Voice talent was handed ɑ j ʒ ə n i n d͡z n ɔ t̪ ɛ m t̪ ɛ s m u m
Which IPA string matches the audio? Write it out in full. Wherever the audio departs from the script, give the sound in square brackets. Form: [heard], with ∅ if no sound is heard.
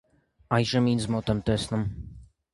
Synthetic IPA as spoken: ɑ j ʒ ə [m] i n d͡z [m] ɔ t̪ ɛ m t̪ ɛ s [n] u m